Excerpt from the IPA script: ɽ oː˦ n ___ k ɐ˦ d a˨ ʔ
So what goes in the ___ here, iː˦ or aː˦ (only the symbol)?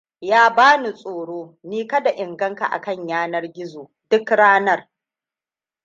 iː˦